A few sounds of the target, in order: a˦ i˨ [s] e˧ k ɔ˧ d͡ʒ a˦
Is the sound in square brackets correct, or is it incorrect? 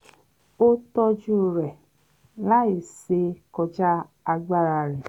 correct